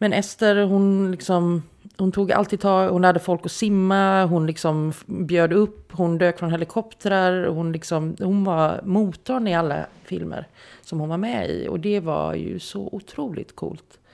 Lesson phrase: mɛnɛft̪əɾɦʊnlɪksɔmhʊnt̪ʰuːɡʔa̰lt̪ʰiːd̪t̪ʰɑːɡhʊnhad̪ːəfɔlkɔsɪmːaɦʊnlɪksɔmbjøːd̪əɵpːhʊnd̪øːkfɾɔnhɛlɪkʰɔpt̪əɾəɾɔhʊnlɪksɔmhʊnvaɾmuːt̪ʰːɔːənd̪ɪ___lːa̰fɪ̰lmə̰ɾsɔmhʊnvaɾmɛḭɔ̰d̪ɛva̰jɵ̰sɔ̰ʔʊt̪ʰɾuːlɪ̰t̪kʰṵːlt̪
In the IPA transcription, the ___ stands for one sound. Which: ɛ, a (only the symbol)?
a